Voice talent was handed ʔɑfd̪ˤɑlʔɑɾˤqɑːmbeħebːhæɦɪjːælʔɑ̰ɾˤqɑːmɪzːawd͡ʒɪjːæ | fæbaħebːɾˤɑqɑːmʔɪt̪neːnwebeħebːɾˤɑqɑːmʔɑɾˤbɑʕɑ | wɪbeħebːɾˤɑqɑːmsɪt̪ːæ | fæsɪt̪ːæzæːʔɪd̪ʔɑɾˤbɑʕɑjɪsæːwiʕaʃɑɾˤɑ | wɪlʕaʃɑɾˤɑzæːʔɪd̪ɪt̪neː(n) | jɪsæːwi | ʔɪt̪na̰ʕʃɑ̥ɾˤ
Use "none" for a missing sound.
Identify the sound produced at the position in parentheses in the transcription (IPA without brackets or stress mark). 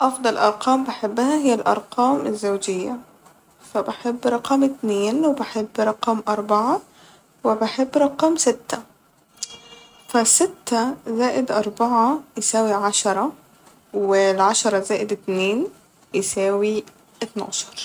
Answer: n